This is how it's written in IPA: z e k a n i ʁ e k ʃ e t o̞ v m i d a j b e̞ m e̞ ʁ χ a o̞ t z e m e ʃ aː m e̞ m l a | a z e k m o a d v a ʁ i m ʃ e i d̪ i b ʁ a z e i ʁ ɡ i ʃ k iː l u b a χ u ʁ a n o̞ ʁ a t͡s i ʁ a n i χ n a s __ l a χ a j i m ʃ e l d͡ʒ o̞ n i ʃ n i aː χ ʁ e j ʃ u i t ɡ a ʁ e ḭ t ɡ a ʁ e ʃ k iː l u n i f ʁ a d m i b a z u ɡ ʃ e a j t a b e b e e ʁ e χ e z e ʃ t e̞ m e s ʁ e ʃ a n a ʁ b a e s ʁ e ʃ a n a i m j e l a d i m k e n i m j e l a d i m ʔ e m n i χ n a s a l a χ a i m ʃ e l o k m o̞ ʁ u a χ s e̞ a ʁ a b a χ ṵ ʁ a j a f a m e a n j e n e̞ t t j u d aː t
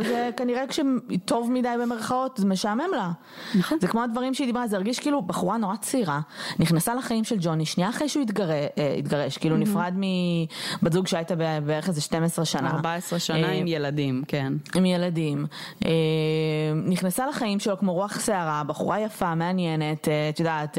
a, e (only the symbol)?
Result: a